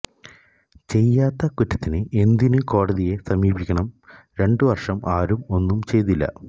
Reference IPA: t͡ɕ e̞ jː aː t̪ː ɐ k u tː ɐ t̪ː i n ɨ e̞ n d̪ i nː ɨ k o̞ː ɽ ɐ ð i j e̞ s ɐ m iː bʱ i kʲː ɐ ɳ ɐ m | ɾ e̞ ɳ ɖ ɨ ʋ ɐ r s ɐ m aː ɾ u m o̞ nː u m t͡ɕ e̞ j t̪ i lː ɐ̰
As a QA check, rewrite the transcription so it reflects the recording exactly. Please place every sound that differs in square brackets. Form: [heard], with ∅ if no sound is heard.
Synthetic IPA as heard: t͡ɕ e̞ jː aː t̪ː ɐ k u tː ɐ t̪ː i n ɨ e̞ n d̪ i [n] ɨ k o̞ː ɽ ɐ ð i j e̞ s ɐ m iː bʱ i kʲː ɐ ɳ ɐ m | ɾ e̞ ɳ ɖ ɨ ʋ ɐ r [ʂ] ɐ m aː ɾ u m o̞ nː u m t͡ɕ e̞ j t̪ i lː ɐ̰